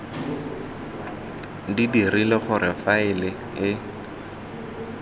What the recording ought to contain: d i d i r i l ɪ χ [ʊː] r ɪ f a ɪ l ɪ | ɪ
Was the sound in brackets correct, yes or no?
no